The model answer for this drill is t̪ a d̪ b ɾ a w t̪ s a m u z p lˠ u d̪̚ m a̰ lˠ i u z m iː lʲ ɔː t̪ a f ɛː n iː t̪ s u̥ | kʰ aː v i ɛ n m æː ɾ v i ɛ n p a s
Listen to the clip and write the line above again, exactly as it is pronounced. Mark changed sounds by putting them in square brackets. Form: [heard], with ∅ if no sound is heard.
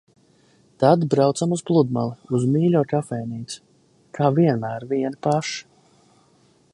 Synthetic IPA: t̪ a d̪ b ɾ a w t̪ s a m u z p lˠ u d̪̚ m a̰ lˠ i u z m iː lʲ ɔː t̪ a f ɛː n iː t̪ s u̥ | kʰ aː v i ɛ n m æː ɾ v i ɛ n p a [ʃ]